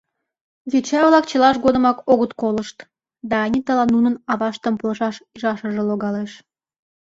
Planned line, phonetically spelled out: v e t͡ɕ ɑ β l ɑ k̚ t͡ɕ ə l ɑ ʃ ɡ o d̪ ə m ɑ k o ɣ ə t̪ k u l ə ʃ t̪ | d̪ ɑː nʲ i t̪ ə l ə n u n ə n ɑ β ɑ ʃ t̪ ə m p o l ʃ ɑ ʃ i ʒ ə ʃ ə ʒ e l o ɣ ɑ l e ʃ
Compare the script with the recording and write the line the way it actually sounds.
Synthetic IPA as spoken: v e t͡ɕ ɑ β l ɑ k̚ t͡ɕ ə l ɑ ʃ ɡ o d̪ ə m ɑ k o ɣ ə t̪ k o l ə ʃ t̪ | d̪ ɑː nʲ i t̪ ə l ɑ n u n ə n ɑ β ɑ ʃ t̪ ə m p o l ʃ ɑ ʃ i ʒ ɑ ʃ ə ʒ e l o ɣ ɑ l e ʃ